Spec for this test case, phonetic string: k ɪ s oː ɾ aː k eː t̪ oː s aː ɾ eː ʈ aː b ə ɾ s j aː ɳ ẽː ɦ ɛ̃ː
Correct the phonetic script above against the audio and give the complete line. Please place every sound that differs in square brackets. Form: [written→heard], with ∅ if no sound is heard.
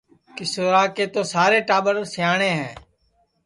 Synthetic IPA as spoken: k ɪ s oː ɾ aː k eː t̪ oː s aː ɾ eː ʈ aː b ə ɾ s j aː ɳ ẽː ɦ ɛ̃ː